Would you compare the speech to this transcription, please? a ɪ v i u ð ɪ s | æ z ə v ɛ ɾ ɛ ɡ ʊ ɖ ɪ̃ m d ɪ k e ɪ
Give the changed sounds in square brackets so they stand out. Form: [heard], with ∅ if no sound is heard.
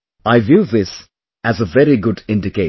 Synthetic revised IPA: a ɪ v [j] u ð ɪ s | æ z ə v ɛ ɾ [i] ɡ ʊ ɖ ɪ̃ [n] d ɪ k e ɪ